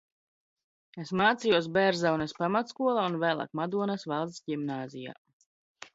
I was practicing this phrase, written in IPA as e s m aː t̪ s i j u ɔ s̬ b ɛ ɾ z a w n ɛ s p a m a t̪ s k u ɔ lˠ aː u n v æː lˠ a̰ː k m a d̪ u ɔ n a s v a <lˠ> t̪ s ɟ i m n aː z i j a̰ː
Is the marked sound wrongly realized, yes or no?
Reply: no